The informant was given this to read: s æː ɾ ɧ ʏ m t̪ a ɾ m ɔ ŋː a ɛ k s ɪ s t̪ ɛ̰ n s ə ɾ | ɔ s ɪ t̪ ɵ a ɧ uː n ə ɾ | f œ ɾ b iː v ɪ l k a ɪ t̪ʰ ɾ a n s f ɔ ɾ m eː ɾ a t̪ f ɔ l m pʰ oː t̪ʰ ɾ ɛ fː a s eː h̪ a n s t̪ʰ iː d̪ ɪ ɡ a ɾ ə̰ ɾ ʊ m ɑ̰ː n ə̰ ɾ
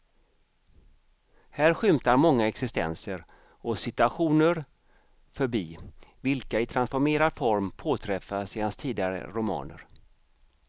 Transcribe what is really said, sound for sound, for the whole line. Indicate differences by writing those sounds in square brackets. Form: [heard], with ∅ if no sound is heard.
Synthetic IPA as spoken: [h] æː ɾ ɧ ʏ m t̪ a ɾ m ɔ ŋː a ɛ k s ɪ s t̪ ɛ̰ n s ə ɾ | ɔ s ɪ t̪ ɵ a ɧ uː n ə ɾ | f œ ɾ b iː v ɪ l k a ɪ t̪ʰ ɾ a n s f ɔ ɾ m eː ɾ a [d̪] f ɔ [ɾ] m pʰ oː t̪ʰ ɾ ɛ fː a s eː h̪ a n s t̪ʰ iː d̪ ɪ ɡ a ɾ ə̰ ɾ ʊ m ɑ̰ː n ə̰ ɾ

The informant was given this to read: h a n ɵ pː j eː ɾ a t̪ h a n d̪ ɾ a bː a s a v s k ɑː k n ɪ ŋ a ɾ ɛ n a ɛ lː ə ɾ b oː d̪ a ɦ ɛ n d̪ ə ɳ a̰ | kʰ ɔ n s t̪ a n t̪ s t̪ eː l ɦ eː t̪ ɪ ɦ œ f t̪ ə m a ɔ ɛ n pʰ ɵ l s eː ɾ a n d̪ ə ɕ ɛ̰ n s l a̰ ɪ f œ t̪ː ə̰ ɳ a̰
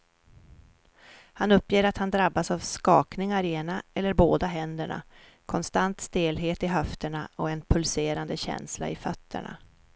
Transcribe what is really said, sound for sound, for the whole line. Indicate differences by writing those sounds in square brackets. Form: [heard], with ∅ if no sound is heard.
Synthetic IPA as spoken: h a n ɵ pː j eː ɾ a t̪ h a n d̪ ɾ a bː a s a v s k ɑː k n ɪ ŋ a ɾ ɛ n a ɛ lː ə ɾ b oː d̪ a ɦ ɛ n d̪ ə ɳ a̰ | kʰ ɔ n s t̪ a n t̪ s t̪ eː l ɦ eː t̪ ɪ ɦ œ f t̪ ə [ɳ] a ɔ ɛ n pʰ ɵ l s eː ɾ a n d̪ ə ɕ ɛ̰ n s l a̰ ɪ f œ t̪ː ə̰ ɳ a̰

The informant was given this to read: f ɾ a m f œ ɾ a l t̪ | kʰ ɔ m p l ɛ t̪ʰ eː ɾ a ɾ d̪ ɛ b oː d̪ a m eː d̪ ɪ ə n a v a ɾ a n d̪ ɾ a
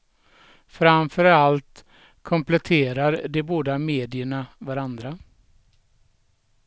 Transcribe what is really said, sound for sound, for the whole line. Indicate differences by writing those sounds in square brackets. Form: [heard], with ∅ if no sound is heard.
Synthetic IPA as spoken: f ɾ a m f œ ɾ a l t̪ | kʰ ɔ m p l ɛ t̪ʰ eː ɾ a ɾ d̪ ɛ b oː d̪ a m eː d̪ ɪ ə [ɳ] a v a ɾ a n d̪ ɾ a

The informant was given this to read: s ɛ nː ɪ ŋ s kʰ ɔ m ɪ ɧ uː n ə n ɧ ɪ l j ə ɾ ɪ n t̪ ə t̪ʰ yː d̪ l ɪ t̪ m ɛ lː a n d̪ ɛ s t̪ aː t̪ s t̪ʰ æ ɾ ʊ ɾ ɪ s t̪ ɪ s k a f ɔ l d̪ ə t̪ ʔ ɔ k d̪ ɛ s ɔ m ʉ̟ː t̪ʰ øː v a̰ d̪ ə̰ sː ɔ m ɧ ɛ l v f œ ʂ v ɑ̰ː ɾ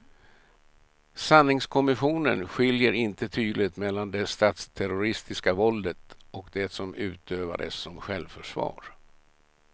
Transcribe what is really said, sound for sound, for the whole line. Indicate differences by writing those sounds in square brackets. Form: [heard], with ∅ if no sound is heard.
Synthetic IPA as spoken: s [a] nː ɪ ŋ s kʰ ɔ m ɪ ɧ uː n ə n ɧ ɪ l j ə ɾ ɪ n t̪ ə t̪ʰ yː d̪ l ɪ t̪ m ɛ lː a n d̪ ɛ s t̪ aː t̪ s t̪ʰ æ ɾ ʊ ɾ ɪ s t̪ ɪ s k a [v] ɔ l d̪ ə t̪ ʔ ɔ k d̪ ɛ s ɔ m ʉ̟ː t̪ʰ øː v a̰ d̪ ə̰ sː ɔ m ɧ ɛ l v f œ ʂ v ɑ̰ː ɾ

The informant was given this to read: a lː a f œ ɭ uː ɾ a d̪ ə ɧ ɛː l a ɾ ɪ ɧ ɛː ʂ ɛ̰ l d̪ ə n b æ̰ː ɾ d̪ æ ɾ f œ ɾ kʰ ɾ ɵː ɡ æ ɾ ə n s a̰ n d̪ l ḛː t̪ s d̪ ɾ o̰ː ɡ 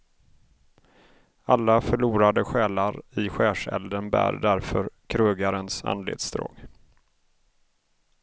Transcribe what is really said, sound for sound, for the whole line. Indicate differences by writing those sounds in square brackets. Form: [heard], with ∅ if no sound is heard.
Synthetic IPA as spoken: a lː a f œ ɭ uː ɾ a d̪ ə ɧ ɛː l a ɾ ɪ ɧ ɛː ʂ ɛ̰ l d̪ ə n b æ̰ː ɾ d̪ æ ɾ f œ ɾ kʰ ɾ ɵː ɡ [a] ɾ ə n s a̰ n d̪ l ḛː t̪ s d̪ ɾ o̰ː ɡ

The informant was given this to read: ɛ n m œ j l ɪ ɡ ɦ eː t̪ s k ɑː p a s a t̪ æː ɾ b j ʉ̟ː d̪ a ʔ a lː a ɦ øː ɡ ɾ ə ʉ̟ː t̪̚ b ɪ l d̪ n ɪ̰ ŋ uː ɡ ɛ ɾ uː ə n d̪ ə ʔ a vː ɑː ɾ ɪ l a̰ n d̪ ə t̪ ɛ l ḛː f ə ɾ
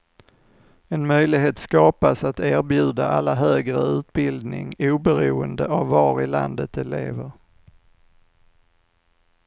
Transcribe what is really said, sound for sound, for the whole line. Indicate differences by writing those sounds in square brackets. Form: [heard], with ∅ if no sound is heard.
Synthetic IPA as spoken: ɛ n m œ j l ɪ ɡ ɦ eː t̪ s k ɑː p a s a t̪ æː ɾ b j ʉ̟ː d̪ a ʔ a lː a ɦ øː ɡ ɾ ə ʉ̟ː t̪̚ b ɪ l d̪ n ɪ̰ ŋ uː [b] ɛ ɾ uː ə n d̪ ə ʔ a vː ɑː ɾ ɪ l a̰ n d̪ ə t̪ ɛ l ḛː [v] ə ɾ

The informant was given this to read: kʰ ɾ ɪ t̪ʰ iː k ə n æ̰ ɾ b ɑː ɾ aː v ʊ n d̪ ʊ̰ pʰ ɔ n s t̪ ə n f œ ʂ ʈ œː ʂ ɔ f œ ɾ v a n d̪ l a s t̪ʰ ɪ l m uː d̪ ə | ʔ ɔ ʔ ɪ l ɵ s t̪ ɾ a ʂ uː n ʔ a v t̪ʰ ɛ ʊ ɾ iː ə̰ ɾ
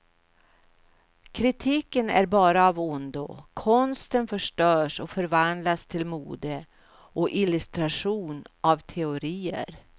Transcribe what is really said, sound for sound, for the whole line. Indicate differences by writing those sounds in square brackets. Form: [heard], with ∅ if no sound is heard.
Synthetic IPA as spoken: kʰ ɾ ɪ t̪ʰ iː k ə n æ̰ ɾ b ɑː ɾ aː v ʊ n d̪ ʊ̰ [kʰ] ɔ n s t̪ ə n f œ ʂ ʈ œː ʂ ɔ f œ ɾ v a n d̪ l a s t̪ʰ ɪ l m uː d̪ ə | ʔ ɔ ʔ ɪ l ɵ s t̪ ɾ a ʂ uː n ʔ a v t̪ʰ ɛ ʊ ɾ iː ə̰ ɾ

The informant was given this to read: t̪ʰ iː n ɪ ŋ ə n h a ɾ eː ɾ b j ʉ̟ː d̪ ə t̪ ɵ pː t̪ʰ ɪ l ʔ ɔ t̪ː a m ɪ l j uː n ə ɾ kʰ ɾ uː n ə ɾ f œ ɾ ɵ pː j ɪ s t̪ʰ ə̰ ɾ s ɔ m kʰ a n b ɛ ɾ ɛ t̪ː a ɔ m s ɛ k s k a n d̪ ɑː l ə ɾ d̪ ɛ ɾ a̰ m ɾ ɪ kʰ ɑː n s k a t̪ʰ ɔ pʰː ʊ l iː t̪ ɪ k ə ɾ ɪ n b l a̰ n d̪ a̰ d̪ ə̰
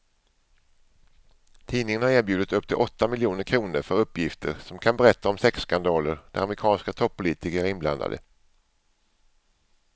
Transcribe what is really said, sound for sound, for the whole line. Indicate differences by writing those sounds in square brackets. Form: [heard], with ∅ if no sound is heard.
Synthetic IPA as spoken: t̪ʰ iː n ɪ ŋ ə n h a ɾ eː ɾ b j ʉ̟ː d̪ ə t̪ ɵ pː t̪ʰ ɪ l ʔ ɔ t̪ː a m ɪ l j uː n ə ɾ kʰ ɾ uː n ə ɾ f œ ɾ ɵ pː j ɪ [f] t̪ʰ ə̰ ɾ s ɔ m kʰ a n b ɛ ɾ ɛ t̪ː a ɔ m s ɛ k s k a n d̪ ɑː l ə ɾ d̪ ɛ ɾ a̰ m ɾ ɪ kʰ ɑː n s k a t̪ʰ ɔ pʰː ʊ l iː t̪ ɪ k ə ɾ ɪ n b l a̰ n d̪ a̰ d̪ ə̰

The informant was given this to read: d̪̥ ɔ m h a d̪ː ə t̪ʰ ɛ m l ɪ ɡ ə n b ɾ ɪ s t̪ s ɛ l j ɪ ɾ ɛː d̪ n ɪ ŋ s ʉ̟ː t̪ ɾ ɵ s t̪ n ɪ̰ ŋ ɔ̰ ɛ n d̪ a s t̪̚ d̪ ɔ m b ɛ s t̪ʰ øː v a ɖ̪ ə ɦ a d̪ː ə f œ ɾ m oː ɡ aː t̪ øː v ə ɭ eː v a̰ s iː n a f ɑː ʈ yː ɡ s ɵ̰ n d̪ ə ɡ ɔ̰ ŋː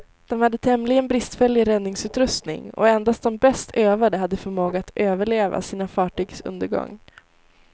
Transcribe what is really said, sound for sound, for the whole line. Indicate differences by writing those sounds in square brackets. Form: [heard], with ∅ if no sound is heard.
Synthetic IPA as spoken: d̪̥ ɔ m h a d̪ː ə t̪ʰ ɛ m l ɪ ɡ ə n b ɾ ɪ s t̪ [f] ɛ l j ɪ ɾ [ɛ] d̪ n ɪ ŋ s ʉ̟ː t̪ ɾ ɵ s t̪ n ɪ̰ ŋ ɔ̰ ɛ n d̪ a s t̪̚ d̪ ɔ m b ɛ s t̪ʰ øː v a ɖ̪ ə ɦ a d̪ː ə f œ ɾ m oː ɡ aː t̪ øː v ə ɭ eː v a̰ s iː n a f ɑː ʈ yː ɡ s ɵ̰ n d̪ ə ɡ ɔ̰ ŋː

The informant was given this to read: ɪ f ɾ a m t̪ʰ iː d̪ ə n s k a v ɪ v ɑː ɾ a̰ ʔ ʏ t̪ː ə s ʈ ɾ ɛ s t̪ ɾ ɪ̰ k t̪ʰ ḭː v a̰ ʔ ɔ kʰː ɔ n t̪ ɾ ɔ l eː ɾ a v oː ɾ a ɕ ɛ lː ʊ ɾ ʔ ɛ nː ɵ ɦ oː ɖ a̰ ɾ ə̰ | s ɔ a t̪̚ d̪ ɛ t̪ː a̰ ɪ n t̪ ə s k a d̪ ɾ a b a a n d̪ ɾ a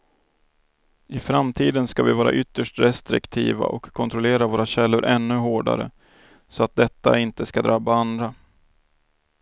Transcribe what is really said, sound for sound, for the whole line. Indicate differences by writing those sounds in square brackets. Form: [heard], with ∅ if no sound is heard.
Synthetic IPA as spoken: ɪ f ɾ a m t̪ʰ iː d̪ ə n s k a v ɪ v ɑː ɾ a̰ ʔ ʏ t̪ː ə [ʂ] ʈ ɾ ɛ s t̪ ɾ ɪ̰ k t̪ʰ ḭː v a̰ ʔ ɔ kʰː ɔ n t̪ ɾ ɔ l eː ɾ a v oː ɾ a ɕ ɛ lː ʊ ɾ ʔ ɛ nː ɵ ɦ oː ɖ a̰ ɾ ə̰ | s ɔ a t̪̚ d̪ ɛ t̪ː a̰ ɪ n t̪ ə s k a d̪ ɾ a b a a n d̪ ɾ a

